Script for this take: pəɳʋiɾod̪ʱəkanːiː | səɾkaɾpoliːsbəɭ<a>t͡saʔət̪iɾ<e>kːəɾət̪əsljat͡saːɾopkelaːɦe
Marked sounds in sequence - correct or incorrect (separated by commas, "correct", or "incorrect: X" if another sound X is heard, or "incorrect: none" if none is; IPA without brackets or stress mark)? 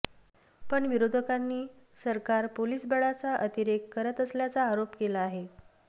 correct, correct